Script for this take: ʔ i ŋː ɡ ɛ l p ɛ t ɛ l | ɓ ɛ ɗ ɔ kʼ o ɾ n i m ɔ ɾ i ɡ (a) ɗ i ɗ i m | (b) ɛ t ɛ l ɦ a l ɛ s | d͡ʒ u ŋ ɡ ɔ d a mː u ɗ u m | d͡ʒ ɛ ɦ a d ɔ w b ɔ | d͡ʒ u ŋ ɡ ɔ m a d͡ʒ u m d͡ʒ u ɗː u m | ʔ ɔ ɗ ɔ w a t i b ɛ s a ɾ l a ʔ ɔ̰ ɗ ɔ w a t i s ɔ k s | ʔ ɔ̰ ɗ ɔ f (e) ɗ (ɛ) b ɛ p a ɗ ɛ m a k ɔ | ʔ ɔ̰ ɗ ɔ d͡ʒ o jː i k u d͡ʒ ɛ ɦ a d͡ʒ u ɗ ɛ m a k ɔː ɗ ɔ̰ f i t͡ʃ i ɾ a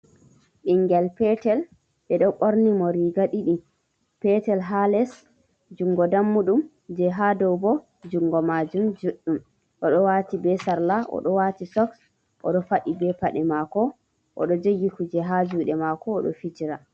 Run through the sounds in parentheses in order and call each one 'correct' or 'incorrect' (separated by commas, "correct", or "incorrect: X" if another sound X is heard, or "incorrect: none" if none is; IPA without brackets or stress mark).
correct, incorrect: p, incorrect: a, incorrect: i